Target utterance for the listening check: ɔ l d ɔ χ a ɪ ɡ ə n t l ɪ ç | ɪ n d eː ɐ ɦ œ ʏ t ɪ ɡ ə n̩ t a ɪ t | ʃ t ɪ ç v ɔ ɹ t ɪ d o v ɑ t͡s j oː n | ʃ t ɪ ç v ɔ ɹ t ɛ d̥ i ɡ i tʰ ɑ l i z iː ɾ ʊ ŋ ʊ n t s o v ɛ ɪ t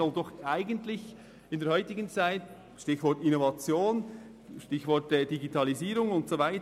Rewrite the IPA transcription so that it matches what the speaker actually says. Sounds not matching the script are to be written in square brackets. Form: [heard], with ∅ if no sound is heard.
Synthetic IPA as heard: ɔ l d ɔ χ a ɪ ɡ ə n t l ɪ ç | ɪ n d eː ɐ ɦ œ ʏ t ɪ ɡ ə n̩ [t͡s] a ɪ t | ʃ t ɪ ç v ɔ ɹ t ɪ [n] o v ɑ t͡s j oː n | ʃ t ɪ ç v ɔ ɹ t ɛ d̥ i ɡ i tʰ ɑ l i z iː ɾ ʊ ŋ ʊ n t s o v [a] ɪ t

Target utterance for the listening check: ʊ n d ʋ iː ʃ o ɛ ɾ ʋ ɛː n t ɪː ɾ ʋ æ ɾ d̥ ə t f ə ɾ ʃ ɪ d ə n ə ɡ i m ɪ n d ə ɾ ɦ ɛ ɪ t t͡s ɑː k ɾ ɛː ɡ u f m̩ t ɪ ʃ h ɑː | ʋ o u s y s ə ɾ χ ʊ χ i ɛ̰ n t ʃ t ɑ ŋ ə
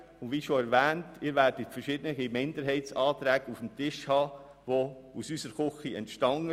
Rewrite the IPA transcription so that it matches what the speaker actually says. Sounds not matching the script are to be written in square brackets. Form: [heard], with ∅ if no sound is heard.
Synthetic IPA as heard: ʊ n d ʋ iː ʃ o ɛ ɾ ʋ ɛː n t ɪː ɾ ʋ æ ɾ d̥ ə t f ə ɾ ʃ ɪ d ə n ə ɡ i m ɪ n d ə ɾ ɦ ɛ ɪ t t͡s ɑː [t] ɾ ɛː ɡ u f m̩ t ɪ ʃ h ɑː | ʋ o u s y s ə ɾ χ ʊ χ i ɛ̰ n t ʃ t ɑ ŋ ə

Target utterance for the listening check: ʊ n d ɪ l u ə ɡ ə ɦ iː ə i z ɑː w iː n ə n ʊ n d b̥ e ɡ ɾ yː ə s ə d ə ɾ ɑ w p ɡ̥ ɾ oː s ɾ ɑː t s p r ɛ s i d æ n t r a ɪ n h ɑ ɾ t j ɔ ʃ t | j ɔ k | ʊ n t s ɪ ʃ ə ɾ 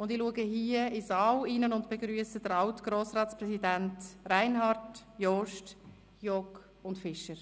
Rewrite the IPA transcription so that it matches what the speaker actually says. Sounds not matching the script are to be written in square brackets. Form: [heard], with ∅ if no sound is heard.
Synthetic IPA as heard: ʊ n d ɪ l u ə ɡ ə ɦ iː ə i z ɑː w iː n ə n ʊ n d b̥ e ɡ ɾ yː ə s ə d ə ɾ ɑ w [t] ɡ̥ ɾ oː s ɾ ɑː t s p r ɛ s i d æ n t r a ɪ n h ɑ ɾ t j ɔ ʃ t | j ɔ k | ʊ n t [f] ɪ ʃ ə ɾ

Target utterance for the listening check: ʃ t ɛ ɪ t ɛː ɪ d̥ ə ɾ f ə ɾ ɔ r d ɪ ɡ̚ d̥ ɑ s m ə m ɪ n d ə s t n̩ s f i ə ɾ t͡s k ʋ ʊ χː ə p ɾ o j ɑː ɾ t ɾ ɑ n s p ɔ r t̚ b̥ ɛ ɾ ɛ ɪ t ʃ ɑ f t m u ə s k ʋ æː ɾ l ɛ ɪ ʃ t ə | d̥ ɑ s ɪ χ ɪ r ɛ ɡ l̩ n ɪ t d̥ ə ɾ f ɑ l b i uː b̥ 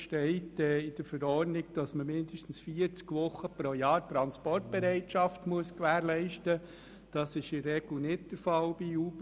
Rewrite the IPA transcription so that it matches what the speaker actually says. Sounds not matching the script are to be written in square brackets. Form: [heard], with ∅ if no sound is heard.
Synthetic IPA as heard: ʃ t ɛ ɪ t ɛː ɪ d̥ ə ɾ f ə ɾ ɔ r [n] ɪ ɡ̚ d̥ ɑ s m ə m ɪ n d ə [ʃ] t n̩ s f i ə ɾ t͡s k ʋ ʊ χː ə p ɾ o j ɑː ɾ t ɾ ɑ n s p ɔ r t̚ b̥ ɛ ɾ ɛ ɪ t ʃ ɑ f t m u ə s k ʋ æː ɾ l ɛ ɪ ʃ t ə | d̥ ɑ s ɪ [ʃ] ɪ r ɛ ɡ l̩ n ɪ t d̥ ə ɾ f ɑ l b i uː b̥

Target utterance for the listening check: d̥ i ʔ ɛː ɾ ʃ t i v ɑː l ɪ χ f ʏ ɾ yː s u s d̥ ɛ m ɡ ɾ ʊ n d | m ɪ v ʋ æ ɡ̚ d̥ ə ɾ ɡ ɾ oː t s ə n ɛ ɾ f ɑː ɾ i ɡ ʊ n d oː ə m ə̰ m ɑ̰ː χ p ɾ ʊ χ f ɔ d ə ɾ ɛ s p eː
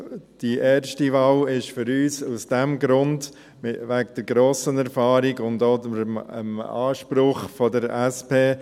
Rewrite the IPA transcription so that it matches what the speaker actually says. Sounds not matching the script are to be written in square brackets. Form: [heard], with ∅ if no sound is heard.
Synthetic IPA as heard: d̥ i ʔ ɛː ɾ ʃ t i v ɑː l ɪ [ʃ] f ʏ ɾ yː s u s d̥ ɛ m ɡ ɾ ʊ n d | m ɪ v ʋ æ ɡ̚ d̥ ə ɾ ɡ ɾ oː [∅] s ə n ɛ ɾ f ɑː ɾ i ɡ ʊ n d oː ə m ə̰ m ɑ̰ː [ʃ] p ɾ ʊ χ f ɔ d ə ɾ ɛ s p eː

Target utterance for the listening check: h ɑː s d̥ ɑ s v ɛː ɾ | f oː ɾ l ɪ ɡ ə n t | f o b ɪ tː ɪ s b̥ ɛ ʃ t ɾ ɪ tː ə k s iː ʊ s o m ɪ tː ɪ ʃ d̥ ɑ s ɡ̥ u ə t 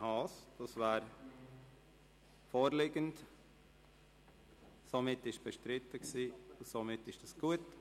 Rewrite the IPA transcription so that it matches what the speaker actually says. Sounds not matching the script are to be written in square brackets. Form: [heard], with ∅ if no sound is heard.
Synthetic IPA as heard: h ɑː s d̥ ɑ s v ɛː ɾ | f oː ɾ l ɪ ɡ ə n t | [s] o [m] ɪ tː ɪ [ʃ] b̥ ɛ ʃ t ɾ ɪ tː ə k s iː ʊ s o m ɪ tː ɪ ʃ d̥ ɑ s ɡ̥ u ə t

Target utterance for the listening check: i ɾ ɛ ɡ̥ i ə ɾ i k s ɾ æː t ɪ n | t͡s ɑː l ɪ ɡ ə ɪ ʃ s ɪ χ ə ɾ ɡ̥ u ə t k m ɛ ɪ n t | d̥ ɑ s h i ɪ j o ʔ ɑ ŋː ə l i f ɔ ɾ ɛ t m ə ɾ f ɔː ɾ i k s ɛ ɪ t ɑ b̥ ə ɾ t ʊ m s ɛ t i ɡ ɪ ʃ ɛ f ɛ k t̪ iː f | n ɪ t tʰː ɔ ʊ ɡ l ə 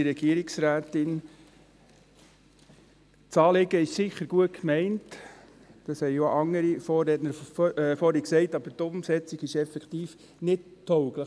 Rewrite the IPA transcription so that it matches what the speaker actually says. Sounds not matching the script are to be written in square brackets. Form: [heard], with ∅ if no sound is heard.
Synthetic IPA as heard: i ɾ ɛ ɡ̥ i ə ɾ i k s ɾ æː t ɪ n | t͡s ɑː l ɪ ɡ ə ɪ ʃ s ɪ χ ə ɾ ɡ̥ u ə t k m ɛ ɪ n t | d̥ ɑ s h [ɛ] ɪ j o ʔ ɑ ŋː ə [ɾ] i f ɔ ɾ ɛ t [n] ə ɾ f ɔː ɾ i k s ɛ ɪ t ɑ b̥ ə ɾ t ʊ m s ɛ [t͡s] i ɡ ɪ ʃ ɛ f ɛ k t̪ iː f | n ɪ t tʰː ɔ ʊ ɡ l ə

